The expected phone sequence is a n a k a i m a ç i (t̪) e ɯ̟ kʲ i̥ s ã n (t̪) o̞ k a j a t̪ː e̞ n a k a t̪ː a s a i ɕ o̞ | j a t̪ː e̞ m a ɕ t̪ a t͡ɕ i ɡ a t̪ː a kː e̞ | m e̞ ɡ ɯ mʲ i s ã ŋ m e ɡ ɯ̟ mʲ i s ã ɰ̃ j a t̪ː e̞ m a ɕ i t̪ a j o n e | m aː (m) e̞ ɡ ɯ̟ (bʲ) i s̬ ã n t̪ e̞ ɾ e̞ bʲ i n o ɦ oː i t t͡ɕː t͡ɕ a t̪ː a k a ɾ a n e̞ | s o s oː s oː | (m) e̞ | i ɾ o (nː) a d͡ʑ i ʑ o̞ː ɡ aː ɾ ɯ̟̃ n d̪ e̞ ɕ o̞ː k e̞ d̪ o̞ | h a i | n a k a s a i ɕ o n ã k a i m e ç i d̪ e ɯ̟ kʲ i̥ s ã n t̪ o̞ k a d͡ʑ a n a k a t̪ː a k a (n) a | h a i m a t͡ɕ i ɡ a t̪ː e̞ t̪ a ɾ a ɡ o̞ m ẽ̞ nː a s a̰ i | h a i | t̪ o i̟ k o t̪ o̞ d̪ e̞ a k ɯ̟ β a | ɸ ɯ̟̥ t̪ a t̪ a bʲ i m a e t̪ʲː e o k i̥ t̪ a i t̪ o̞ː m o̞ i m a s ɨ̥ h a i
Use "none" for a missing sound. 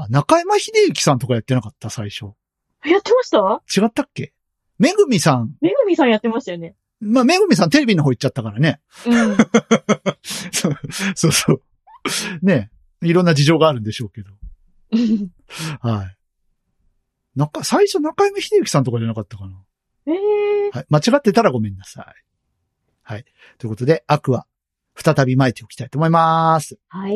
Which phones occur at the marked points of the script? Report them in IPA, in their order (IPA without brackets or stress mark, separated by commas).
d̪, t̪, m, mʲ, n, nː, n